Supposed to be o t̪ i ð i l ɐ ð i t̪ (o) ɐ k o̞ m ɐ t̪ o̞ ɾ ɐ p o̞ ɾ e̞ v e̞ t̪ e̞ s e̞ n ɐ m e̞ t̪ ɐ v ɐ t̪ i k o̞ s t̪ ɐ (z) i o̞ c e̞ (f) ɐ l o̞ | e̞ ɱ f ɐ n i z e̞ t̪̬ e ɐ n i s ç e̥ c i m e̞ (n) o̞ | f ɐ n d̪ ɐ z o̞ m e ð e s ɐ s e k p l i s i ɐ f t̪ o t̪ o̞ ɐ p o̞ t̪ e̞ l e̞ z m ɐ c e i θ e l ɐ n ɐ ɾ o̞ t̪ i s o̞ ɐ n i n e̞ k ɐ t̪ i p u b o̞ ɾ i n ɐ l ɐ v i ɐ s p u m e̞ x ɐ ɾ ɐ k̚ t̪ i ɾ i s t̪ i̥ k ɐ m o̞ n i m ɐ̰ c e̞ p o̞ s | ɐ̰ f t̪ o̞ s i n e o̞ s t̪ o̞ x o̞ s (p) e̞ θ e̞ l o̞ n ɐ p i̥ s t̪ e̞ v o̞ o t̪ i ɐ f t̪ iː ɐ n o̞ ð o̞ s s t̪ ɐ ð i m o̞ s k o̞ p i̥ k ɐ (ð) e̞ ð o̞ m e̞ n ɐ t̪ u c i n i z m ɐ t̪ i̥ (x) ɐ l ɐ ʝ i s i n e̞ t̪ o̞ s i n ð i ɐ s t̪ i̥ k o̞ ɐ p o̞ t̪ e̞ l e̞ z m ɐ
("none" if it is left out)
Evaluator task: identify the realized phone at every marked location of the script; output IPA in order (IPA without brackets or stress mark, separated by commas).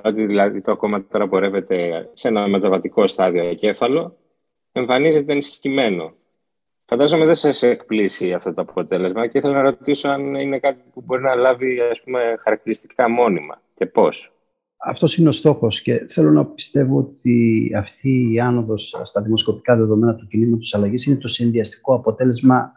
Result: o, ð, f, n, c, ð, s